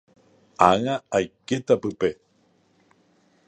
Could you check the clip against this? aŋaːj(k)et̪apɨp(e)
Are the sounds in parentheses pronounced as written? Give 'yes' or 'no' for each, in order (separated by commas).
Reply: yes, yes